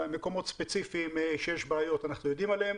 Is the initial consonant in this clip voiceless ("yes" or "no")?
no